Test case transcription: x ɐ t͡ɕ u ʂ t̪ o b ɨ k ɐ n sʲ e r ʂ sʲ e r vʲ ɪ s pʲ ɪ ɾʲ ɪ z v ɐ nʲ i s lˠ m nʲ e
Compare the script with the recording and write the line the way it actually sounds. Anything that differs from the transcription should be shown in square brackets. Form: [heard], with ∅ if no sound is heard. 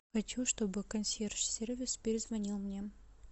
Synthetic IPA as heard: x ɐ t͡ɕ u ʂ t̪ o b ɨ k ɐ n sʲ e r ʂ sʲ e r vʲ ɪ s pʲ ɪ ɾʲ ɪ z v ɐ nʲ i [∅] lˠ m nʲ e

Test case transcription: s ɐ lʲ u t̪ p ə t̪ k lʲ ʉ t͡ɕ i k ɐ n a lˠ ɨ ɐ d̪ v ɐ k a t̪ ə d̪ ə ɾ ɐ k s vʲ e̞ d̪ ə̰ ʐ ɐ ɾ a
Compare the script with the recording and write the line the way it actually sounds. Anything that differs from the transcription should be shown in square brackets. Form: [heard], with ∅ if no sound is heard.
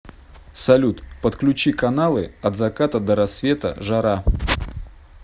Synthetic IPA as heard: s ɐ lʲ u t̪ p ə t̪ k lʲ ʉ t͡ɕ i k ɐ n a lˠ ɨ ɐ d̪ [z] ɐ k a t̪ ə d̪ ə ɾ ɐ [∅] s vʲ e̞ [t̪] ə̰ ʐ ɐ ɾ a

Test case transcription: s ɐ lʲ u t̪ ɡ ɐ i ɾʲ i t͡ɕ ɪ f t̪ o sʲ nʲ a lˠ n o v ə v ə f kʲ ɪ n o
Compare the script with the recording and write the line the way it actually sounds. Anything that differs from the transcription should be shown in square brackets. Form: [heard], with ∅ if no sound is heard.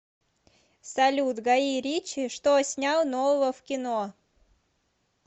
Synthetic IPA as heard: s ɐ lʲ u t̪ ɡ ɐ i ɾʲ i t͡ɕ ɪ [ʂ] t̪ o sʲ nʲ a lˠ n o v ə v ə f kʲ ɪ n o

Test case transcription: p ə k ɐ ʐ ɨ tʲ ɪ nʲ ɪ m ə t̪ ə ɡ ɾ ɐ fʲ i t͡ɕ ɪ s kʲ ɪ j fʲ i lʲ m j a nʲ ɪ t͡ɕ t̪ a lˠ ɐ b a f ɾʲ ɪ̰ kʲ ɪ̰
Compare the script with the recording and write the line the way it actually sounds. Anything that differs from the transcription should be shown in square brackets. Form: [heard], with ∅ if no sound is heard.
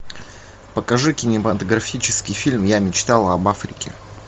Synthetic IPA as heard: p ə k ɐ ʐ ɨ [kʲ] ɪ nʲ ɪ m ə t̪ ə ɡ ɾ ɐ fʲ i t͡ɕ ɪ s kʲ ɪ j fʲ i lʲ m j a [mʲ] ɪ t͡ɕ t̪ a lˠ ɐ b a f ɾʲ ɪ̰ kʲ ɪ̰

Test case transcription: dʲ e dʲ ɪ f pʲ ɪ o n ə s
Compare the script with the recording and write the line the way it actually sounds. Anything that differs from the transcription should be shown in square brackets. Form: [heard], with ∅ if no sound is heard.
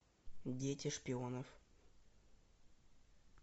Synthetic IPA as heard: dʲ e [tʲ] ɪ [ʂ] pʲ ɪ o n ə [f]

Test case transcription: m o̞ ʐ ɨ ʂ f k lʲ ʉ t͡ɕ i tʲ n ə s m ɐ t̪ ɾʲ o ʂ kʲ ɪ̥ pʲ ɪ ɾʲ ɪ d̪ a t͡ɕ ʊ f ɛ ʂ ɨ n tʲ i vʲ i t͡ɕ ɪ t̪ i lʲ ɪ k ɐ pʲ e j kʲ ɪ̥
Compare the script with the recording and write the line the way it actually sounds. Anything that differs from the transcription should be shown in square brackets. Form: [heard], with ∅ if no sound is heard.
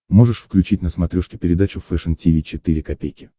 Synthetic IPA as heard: m o̞ ʐ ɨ ʂ f k lʲ ʉ t͡ɕ i tʲ n ə s m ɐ t̪ ɾʲ o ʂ kʲ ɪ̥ pʲ ɪ ɾʲ ɪ d̪ a t͡ɕ ʊ f ɛ ʂ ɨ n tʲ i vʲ i t͡ɕ ɪ t̪ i [ɾʲ] ɪ k ɐ pʲ e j kʲ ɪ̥

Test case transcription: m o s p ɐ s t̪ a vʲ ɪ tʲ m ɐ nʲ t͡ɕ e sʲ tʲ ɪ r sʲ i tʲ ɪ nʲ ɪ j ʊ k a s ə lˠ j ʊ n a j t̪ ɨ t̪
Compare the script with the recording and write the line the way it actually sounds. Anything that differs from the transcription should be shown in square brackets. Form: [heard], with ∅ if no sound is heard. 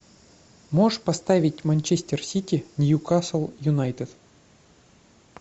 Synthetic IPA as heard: m o [ʂ] p ɐ s t̪ a vʲ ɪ tʲ m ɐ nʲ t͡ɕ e sʲ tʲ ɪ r sʲ i tʲ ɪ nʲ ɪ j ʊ k a s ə lˠ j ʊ n a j t̪ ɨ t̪

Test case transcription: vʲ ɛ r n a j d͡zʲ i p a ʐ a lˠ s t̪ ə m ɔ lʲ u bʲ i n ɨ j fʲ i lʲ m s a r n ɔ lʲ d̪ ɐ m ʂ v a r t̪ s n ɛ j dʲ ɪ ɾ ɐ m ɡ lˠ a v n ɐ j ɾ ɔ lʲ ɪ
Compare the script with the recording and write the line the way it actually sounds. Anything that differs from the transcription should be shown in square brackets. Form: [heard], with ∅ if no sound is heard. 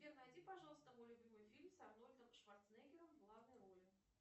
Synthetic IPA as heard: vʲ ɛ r n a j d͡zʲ i p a ʐ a lˠ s t̪ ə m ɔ lʲ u bʲ i [m] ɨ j fʲ i lʲ m s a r n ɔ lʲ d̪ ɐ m ʂ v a r t̪ s n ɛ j [ɡʲ] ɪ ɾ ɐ m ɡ lˠ a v n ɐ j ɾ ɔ lʲ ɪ

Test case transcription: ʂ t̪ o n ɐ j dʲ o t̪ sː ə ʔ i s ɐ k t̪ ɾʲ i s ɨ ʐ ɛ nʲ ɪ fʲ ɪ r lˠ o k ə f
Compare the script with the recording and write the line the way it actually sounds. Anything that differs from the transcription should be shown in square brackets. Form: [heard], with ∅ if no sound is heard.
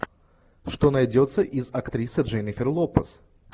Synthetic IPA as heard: ʂ t̪ o n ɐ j dʲ o t̪ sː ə ʔ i [z] ɐ k t̪ ɾʲ i s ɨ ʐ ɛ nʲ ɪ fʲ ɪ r lˠ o [p] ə [s]

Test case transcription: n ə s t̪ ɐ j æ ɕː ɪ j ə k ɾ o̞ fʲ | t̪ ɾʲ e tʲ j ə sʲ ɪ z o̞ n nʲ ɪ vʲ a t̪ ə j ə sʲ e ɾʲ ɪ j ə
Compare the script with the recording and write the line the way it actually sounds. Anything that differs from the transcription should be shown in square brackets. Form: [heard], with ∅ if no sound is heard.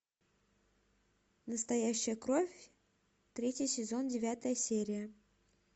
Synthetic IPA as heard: n ə s t̪ ɐ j æ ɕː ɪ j ə k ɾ o̞ fʲ | t̪ ɾʲ e tʲ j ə sʲ ɪ z o̞ n [dʲ] ɪ vʲ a t̪ ə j ə sʲ e ɾʲ ɪ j ə

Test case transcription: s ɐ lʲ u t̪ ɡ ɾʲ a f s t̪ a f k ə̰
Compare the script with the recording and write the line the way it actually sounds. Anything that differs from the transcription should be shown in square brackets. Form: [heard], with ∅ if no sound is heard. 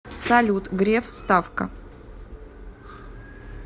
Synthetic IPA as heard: s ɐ lʲ u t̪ ɡ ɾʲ [e] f s t̪ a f k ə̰

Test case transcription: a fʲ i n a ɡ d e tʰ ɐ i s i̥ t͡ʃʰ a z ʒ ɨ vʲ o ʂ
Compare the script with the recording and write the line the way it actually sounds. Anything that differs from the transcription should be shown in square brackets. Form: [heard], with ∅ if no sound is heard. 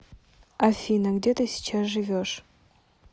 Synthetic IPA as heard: a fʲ i n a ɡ d e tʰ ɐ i s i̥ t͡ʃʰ a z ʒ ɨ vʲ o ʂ

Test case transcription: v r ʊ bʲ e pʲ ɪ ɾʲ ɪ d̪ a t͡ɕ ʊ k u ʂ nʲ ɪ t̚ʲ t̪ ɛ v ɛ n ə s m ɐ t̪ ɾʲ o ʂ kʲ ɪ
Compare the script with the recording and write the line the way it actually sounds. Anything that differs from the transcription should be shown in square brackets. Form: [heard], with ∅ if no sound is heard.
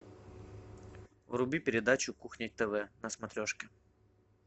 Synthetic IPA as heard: v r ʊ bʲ [i] pʲ ɪ ɾʲ ɪ d̪ a t͡ɕ ʊ k u [x] nʲ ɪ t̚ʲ t̪ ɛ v ɛ n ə s m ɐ t̪ ɾʲ o ʂ kʲ ɪ

